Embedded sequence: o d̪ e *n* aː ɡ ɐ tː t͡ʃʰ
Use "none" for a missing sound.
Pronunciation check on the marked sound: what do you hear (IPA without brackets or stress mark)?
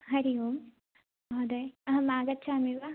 m